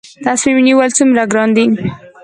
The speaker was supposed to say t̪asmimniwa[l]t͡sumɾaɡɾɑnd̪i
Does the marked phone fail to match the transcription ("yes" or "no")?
no